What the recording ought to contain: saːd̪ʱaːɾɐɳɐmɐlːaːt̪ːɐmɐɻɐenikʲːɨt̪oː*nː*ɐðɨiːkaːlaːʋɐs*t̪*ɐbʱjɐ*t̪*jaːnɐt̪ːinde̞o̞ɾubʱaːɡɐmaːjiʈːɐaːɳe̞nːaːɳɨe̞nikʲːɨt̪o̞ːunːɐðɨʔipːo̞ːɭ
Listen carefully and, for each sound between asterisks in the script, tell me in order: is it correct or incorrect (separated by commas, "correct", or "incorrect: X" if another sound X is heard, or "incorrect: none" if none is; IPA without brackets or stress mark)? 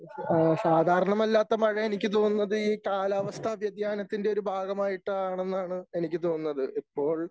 correct, incorrect: t̪ʰ, incorrect: d̪